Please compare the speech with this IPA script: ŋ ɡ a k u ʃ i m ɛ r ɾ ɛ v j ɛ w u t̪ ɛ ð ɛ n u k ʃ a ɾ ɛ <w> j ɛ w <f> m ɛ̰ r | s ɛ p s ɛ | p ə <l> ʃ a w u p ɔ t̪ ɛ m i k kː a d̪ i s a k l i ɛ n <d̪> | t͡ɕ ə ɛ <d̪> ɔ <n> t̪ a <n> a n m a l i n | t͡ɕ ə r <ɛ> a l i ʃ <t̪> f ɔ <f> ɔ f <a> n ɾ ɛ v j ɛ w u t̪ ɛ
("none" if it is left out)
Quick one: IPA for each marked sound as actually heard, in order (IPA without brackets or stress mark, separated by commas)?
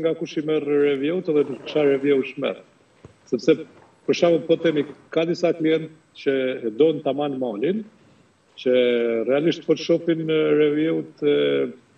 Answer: v, ʃ, ɾ, t̪, d̪, n, m, ɛ, t̪, ʃ, i